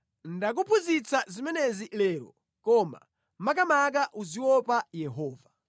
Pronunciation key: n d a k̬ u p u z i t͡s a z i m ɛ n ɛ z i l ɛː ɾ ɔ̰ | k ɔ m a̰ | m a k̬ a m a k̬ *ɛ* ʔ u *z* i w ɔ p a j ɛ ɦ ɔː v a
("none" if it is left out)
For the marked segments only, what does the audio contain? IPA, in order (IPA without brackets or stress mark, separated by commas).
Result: a, z